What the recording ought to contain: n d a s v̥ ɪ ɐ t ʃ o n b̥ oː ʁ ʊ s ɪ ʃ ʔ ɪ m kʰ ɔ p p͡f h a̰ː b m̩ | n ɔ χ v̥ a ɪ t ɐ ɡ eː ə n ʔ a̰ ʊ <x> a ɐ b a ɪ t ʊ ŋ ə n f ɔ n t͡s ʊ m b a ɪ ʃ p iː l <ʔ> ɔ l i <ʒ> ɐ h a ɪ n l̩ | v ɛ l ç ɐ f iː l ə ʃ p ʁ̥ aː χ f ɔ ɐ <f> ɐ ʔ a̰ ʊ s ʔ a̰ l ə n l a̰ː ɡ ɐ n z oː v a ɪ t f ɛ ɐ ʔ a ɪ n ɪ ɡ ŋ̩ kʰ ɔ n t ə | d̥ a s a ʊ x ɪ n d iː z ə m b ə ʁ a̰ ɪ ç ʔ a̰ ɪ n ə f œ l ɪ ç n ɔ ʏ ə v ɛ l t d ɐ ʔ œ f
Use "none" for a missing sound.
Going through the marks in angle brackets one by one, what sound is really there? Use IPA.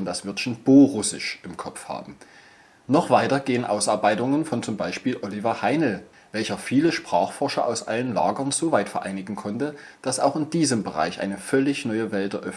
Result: s, ʔ, v, ʃ

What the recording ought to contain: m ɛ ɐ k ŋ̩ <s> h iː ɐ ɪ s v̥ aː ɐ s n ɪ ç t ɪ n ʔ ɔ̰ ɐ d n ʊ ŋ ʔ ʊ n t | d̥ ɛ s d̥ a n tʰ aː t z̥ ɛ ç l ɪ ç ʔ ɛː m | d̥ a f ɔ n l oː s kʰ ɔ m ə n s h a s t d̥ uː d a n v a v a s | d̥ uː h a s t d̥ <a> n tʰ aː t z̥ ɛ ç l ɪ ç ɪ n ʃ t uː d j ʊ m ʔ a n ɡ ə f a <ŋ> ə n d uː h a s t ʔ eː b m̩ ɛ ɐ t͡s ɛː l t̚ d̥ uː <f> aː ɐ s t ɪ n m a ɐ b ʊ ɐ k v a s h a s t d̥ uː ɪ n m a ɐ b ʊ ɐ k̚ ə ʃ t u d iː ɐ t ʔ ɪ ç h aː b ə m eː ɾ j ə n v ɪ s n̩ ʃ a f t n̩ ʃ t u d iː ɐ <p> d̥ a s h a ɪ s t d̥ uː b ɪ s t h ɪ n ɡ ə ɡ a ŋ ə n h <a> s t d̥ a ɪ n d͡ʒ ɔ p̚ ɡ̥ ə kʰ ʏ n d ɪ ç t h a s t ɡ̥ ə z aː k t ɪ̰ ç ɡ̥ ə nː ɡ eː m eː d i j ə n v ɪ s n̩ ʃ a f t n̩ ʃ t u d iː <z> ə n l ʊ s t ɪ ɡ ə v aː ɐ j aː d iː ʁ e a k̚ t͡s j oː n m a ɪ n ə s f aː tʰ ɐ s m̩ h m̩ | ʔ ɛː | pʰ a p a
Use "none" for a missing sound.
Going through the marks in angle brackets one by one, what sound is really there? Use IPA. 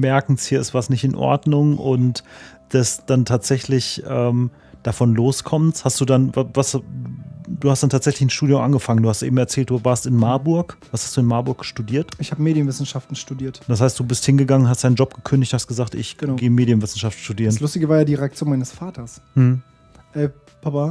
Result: s, a, ŋ, v, t, a, ʁ

